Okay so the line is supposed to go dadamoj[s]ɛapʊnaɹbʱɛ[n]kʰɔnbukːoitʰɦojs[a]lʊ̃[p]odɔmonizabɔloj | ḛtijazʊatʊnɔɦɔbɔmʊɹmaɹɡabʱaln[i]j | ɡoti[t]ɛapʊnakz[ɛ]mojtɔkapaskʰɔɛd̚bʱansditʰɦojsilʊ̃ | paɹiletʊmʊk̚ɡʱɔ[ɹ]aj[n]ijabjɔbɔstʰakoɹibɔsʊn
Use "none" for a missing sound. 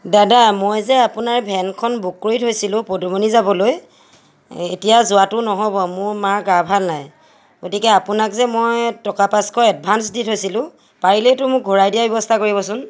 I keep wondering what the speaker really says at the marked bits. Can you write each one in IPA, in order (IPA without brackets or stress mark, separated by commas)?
z, n, i, p, a, k, ɛ, ɹ, d